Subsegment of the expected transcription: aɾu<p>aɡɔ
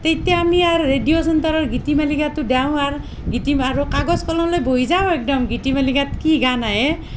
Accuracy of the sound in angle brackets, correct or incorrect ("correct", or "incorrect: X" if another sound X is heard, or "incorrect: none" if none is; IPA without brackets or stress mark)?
incorrect: k